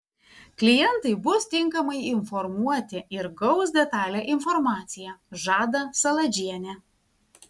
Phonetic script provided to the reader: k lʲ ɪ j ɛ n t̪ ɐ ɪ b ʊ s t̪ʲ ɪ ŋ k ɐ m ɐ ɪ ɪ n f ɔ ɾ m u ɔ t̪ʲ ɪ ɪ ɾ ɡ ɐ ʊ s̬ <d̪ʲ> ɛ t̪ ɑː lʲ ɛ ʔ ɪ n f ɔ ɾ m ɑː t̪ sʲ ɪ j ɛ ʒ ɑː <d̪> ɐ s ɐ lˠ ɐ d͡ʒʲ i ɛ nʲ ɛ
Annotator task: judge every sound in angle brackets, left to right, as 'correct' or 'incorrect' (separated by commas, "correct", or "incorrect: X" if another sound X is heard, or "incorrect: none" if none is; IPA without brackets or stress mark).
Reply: correct, correct